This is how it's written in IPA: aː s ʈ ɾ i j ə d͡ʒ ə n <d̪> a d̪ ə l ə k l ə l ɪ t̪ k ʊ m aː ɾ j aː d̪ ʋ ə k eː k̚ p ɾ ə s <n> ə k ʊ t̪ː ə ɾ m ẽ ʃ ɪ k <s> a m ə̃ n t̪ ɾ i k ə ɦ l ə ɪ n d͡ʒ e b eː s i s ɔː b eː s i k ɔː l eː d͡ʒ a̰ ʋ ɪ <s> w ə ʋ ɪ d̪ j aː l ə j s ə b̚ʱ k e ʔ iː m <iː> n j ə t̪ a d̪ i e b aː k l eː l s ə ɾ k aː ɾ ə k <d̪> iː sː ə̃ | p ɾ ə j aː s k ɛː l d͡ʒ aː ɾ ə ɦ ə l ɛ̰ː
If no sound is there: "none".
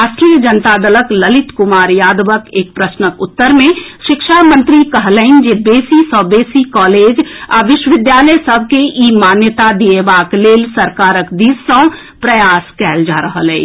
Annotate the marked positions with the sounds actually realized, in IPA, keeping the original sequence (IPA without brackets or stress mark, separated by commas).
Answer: t̪, n, ʃ, ʃ, aː, d̪